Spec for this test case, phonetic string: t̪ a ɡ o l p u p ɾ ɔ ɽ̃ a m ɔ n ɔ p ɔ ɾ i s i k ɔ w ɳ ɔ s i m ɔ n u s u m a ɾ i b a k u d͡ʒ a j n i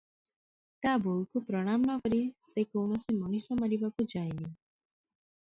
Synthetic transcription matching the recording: t̪ a b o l k u p ɾ ɔ ɽ̃ a m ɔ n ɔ k ɔ ɾ i s e k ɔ w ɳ ɔ s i m ɔ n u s ɔ m a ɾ i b a k u d͡ʒ a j n i